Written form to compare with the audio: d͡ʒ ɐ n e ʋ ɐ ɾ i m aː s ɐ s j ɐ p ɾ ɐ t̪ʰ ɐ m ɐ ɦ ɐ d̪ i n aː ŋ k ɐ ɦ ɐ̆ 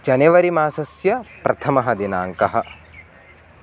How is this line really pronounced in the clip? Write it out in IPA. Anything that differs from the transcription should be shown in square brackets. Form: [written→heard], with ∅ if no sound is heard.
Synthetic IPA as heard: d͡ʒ ɐ n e ʋ ɐ ɾ i m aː s ɐ s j ɐ p ɾ ɐ t̪ʰ ɐ m ɐ ɦ ɐ d̪ i n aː ŋ k ɐ ɦ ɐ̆